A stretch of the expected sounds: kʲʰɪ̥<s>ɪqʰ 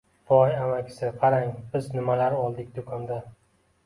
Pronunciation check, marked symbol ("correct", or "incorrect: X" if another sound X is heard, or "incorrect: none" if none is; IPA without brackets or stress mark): correct